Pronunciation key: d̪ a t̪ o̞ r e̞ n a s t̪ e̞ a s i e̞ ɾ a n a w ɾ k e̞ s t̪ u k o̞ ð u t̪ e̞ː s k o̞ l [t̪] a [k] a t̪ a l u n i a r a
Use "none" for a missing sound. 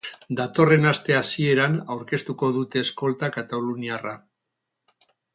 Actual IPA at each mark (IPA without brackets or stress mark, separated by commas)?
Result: t̪, k